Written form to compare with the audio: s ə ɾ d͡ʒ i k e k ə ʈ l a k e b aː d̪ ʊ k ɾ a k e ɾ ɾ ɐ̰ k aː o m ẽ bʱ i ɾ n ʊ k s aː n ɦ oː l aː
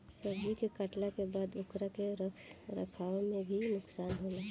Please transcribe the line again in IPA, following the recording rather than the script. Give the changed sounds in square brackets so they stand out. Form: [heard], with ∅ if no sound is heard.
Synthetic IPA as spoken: s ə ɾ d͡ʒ i k e k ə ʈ l a k e b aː d̪ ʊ k ɾ a k e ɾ ɾ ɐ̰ [kʰ] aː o m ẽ bʱ i [∅] n ʊ k s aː n ɦ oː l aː